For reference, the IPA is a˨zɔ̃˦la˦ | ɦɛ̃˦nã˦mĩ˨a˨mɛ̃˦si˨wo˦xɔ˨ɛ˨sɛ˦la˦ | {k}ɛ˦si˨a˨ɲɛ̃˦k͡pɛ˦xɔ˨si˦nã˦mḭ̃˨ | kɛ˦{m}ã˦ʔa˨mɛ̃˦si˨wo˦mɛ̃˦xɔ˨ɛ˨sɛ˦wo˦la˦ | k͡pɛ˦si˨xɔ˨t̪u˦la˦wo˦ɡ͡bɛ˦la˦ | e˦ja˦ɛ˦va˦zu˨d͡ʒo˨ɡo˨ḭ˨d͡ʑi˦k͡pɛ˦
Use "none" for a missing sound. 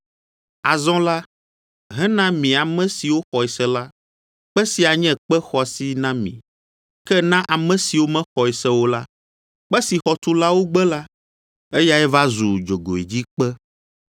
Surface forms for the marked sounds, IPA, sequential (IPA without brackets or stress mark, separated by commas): k͡p, n